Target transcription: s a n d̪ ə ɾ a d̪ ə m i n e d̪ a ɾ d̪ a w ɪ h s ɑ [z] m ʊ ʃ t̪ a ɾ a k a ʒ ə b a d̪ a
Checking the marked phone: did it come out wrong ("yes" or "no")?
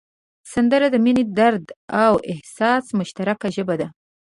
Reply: yes